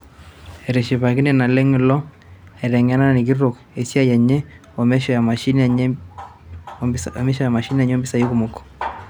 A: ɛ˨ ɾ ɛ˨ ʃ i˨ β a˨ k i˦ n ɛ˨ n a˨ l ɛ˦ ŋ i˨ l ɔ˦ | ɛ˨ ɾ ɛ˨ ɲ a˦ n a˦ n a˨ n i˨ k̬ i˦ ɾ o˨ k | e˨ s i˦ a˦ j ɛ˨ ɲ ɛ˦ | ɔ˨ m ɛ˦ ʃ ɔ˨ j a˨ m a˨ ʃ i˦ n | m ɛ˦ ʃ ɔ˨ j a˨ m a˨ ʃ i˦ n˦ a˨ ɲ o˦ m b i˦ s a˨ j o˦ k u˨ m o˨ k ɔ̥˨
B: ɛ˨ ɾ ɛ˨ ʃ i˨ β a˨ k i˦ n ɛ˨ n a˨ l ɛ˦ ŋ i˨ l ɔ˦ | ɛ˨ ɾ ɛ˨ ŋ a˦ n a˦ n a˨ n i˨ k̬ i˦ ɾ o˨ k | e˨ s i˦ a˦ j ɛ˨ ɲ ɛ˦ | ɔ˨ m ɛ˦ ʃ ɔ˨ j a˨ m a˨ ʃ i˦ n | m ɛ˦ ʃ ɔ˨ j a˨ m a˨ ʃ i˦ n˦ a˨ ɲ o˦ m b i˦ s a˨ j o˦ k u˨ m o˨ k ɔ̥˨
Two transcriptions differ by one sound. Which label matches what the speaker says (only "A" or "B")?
B